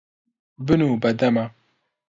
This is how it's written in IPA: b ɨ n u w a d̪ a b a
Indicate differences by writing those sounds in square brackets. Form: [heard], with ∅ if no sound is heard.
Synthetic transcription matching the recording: b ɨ n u [b] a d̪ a [m] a